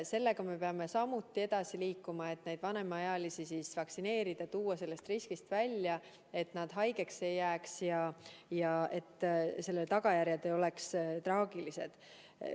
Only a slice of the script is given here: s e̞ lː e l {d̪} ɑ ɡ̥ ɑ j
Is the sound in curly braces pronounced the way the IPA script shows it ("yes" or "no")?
no